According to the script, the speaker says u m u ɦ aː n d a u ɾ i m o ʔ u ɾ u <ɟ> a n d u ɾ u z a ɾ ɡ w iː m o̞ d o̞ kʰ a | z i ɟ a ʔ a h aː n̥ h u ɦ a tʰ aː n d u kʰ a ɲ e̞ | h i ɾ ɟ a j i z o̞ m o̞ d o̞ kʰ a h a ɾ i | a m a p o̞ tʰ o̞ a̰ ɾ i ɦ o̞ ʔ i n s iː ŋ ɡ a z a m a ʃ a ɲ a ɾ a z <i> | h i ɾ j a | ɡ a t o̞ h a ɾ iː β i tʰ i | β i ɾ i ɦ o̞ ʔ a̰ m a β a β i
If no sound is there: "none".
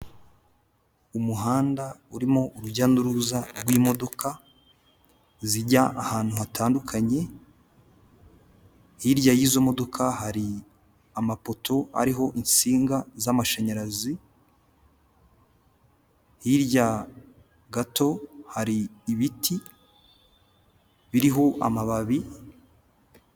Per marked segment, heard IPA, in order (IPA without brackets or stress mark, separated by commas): ɟ, i